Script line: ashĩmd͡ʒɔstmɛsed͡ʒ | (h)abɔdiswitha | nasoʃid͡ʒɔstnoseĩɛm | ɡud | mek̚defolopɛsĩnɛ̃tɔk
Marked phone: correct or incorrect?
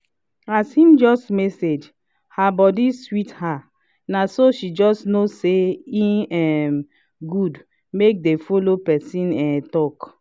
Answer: correct